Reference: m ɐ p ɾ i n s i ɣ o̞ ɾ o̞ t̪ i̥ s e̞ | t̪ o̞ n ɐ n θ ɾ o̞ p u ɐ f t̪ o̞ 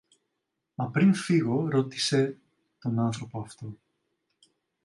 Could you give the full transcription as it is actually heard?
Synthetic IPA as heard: m ɐ p ɾ i n f i ɣ o̞ ɾ o̞ t̪ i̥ s e̞ | t̪ o̞ n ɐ n θ ɾ o̞ p o ɐ f t̪ o̞